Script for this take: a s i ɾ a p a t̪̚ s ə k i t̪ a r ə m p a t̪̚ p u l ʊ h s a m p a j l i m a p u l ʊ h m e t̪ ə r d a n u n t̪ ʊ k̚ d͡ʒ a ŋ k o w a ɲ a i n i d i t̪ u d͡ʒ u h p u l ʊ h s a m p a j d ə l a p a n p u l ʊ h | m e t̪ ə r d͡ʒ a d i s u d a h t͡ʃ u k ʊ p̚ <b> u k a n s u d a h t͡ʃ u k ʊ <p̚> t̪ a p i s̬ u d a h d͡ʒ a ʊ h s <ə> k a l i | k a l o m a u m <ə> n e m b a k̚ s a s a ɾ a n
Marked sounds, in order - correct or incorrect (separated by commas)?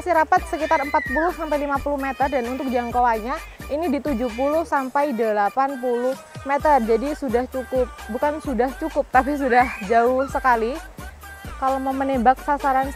correct, correct, correct, correct